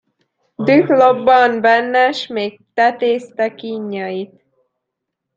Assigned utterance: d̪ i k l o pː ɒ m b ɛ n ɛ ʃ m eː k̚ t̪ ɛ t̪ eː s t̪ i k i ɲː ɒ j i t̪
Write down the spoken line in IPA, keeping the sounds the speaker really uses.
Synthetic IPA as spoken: d̪ y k l o bː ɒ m b ɛ nː ɛ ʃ m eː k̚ t̪ ɛ t̪ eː s t̪ ɛ k i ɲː ɒ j i t̪